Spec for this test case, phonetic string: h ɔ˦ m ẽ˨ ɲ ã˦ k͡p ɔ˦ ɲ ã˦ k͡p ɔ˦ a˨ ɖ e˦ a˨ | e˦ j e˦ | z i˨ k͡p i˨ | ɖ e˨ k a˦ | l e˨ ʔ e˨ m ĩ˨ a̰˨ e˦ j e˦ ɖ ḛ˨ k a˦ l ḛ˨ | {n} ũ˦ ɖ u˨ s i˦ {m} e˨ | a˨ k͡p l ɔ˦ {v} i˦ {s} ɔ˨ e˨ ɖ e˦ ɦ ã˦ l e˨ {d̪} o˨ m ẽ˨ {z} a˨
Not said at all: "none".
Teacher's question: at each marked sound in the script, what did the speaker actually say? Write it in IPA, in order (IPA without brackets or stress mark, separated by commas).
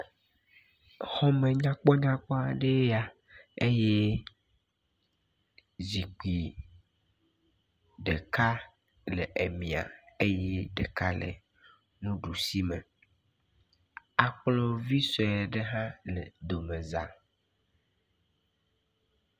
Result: n, m, v, s, d̪, z